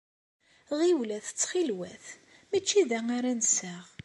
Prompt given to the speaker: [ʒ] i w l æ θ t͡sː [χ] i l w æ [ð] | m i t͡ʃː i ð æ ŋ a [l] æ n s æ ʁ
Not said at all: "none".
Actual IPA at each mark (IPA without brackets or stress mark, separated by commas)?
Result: ʁ, χ, θ, ɾ